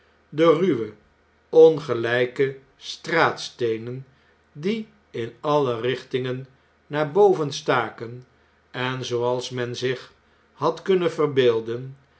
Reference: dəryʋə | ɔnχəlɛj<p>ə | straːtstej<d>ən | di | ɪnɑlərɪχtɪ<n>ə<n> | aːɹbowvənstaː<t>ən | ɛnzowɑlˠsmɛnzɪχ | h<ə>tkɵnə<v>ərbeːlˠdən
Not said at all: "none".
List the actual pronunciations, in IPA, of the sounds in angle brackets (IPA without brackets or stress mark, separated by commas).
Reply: k, n, ŋ, nː, k, ɑ, v